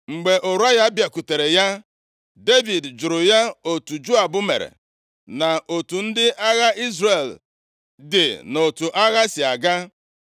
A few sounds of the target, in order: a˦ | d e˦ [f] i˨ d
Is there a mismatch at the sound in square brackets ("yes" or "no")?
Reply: yes